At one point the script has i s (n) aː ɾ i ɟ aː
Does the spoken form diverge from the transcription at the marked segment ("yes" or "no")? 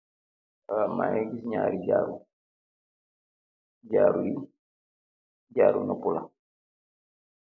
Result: yes